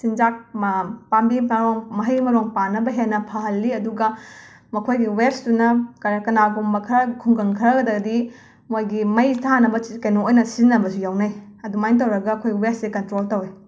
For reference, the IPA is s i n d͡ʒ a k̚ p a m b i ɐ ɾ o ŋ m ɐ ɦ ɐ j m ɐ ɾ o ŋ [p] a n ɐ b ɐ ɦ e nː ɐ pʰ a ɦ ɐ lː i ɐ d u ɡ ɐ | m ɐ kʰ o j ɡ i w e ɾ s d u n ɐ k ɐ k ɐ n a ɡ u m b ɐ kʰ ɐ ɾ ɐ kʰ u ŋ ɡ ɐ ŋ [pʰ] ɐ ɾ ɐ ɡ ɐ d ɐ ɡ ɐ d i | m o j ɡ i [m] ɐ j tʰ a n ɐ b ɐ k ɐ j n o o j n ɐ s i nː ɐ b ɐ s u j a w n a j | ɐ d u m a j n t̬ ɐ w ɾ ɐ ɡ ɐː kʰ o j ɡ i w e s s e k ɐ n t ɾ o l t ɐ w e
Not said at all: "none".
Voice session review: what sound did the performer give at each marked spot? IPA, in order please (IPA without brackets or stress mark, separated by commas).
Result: p, kʰ, m